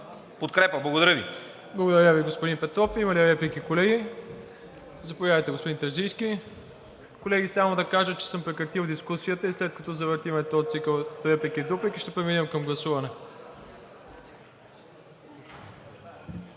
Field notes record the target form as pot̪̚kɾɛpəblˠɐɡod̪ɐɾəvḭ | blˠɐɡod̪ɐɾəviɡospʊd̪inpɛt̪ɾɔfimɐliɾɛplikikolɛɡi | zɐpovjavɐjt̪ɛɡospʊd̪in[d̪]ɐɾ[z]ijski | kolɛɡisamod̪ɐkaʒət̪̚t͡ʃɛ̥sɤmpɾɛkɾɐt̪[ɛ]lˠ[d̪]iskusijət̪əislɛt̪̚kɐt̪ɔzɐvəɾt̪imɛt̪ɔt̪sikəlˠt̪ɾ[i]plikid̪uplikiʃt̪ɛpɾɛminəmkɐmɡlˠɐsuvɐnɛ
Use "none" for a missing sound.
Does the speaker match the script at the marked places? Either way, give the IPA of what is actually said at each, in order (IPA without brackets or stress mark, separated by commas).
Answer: t̪, z, i, d̪, ɛ